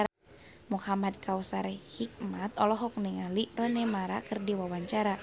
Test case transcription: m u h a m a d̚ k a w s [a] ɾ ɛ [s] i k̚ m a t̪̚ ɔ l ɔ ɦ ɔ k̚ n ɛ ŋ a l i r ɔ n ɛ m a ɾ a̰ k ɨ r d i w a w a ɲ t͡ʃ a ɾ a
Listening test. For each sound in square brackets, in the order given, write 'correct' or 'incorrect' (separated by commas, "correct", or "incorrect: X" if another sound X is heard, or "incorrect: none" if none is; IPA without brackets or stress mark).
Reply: correct, incorrect: h